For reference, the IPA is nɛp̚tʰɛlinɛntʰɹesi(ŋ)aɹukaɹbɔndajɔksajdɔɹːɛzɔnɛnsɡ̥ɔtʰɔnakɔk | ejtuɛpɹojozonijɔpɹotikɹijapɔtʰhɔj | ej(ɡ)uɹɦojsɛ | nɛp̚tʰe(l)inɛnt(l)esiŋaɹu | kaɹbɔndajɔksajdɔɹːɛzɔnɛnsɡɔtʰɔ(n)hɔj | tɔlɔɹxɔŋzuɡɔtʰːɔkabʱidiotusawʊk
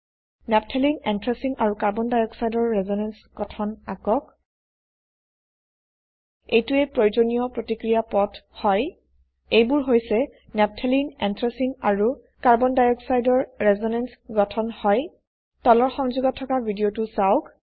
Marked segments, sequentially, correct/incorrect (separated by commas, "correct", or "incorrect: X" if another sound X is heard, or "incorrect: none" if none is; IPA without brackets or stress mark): correct, incorrect: b, correct, incorrect: ɹ, correct